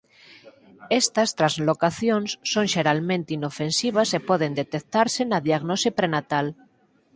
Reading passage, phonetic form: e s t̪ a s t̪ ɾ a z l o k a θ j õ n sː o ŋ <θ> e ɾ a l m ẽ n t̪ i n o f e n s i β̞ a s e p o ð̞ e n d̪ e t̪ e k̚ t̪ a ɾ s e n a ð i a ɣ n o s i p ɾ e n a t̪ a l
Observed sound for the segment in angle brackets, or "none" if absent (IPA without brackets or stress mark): ʃ